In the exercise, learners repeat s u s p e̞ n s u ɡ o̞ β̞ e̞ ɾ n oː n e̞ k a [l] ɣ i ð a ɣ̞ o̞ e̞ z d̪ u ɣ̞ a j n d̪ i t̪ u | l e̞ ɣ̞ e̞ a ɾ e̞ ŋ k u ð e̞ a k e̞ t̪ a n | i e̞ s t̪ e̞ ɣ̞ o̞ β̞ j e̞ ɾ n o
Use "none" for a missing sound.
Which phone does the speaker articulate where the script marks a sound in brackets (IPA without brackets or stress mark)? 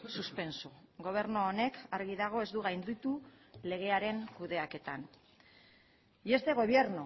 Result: ɾ